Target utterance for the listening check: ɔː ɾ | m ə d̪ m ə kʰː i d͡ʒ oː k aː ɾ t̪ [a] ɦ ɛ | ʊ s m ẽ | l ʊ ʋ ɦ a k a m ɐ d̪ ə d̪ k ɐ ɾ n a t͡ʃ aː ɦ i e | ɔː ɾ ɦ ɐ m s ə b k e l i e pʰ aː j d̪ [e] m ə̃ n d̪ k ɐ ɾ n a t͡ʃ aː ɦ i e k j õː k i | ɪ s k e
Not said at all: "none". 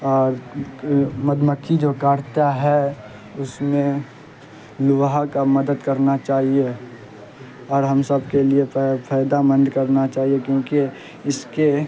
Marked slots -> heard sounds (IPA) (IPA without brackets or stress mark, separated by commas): a, a